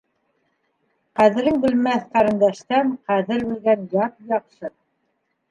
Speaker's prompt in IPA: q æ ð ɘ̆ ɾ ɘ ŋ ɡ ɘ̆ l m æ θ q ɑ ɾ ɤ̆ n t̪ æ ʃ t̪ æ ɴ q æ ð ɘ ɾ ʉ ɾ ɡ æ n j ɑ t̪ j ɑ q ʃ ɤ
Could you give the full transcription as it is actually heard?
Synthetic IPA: q æ ð ɘ̆ ɾ ɘ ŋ b ɘ̆ l m æ θ q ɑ ɾ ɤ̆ n d̪ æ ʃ t̪ æ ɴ q æ ð ɘ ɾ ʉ l ɡ æ n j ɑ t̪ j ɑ q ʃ ɤ